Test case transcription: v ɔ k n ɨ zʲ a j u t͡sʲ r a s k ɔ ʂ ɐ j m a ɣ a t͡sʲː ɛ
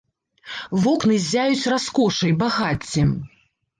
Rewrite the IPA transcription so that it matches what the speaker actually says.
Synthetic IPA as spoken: v ɔ k n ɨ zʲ a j u t͡sʲ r a s k ɔ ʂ ɐ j b a ɣ a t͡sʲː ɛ